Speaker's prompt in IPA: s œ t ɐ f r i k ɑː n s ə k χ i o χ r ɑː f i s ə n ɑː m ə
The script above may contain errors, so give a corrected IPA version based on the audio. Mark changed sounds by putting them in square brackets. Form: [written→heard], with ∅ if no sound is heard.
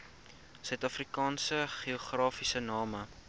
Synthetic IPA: s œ t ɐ f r i k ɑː n s ə [k→∅] χ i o χ r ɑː f i s ə n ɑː m ə